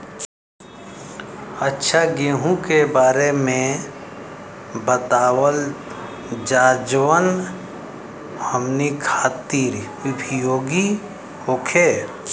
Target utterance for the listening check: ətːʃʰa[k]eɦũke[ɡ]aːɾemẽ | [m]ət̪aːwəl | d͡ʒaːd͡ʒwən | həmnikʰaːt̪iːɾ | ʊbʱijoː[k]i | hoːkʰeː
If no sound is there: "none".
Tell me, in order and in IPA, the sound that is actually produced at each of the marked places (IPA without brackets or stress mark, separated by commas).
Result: ɡ, b, b, ɡ